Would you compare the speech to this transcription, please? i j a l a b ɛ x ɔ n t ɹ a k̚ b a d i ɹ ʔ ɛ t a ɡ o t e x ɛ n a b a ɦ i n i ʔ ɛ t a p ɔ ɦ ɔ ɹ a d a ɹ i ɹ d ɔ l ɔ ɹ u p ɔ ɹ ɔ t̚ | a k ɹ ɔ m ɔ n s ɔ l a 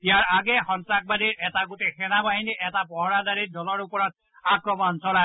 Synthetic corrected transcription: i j a ɹ a ɡ ɛ x ɔ n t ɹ a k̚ b a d i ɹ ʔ ɛ t a ɡ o t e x ɛ n a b a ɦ i n i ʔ ɛ t a p ɔ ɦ ɔ ɹ a d a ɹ i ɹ d ɔ l ɔ ɹ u p ɔ ɹ ɔ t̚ | a k ɹ ɔ m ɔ n s ɔ l a